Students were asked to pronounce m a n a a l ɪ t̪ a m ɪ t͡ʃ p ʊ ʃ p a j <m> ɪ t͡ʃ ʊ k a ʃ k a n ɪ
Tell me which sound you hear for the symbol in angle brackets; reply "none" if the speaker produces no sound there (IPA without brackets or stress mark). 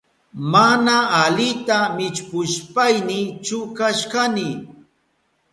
n